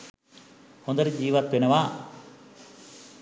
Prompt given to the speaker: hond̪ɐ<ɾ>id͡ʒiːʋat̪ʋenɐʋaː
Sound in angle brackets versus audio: correct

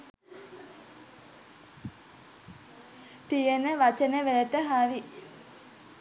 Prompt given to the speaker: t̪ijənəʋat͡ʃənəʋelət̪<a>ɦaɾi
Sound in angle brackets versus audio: incorrect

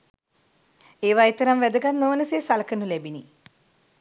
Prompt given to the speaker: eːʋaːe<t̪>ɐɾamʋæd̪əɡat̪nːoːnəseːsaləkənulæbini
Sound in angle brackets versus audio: correct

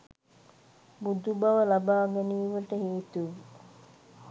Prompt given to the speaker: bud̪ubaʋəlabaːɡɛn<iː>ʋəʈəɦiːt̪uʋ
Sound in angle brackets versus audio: correct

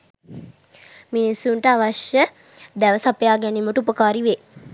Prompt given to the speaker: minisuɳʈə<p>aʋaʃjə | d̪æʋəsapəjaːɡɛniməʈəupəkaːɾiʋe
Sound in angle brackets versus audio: incorrect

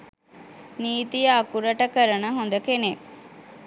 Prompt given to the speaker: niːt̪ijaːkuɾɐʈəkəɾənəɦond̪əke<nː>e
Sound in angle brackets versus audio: incorrect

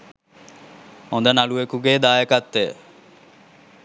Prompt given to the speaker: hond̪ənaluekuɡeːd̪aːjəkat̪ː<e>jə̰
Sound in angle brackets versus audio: correct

